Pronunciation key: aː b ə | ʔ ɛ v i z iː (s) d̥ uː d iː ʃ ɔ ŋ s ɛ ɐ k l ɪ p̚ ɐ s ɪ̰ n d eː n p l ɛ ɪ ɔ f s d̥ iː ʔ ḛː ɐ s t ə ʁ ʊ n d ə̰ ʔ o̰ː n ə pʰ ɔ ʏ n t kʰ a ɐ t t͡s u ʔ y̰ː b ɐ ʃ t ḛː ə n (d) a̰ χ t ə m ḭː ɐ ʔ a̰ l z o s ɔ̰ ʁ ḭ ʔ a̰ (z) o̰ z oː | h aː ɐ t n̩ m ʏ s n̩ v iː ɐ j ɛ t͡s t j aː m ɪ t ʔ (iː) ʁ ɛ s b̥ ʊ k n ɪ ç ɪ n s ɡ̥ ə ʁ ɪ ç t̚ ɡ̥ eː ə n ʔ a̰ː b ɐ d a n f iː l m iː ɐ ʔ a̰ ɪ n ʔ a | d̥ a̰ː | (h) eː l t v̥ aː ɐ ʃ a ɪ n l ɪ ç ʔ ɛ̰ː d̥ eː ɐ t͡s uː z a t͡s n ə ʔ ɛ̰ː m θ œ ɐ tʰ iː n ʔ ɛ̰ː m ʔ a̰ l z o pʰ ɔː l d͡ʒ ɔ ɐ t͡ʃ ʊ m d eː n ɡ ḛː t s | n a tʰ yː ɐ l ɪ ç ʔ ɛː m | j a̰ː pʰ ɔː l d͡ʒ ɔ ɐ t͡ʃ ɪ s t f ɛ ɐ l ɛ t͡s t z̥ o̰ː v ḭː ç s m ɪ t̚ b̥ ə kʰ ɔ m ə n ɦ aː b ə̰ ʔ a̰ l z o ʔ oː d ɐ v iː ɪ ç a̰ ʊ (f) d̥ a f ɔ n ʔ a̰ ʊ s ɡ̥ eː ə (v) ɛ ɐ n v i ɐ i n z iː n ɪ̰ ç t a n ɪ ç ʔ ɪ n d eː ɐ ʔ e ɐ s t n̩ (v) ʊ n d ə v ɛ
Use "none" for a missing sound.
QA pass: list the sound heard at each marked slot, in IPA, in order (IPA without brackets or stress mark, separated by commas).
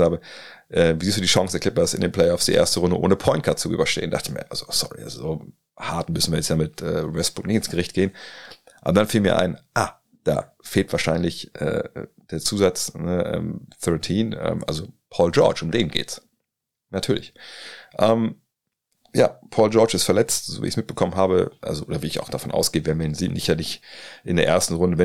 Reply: s, d, z, ɛː, f, x, v, ʁ